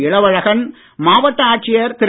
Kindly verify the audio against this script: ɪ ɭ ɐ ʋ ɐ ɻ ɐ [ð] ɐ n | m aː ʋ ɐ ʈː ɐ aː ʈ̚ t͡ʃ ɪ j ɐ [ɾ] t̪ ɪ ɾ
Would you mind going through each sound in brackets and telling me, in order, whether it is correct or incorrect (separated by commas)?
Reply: incorrect, correct